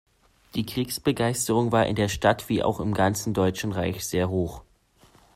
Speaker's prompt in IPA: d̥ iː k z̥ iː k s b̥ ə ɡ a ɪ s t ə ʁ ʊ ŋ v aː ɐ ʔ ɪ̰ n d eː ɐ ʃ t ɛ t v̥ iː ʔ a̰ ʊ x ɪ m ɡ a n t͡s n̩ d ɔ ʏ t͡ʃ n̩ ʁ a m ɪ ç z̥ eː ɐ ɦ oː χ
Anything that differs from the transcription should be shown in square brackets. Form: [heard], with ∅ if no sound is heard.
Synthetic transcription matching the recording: d̥ iː k [ʁ̥] iː k s b̥ ə ɡ a ɪ s t ə ʁ ʊ ŋ v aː ɐ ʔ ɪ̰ n d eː ɐ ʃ t [a] t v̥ iː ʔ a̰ ʊ x ɪ m ɡ a n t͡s n̩ d ɔ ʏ t͡ʃ n̩ ʁ a [∅] ɪ ç z̥ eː ɐ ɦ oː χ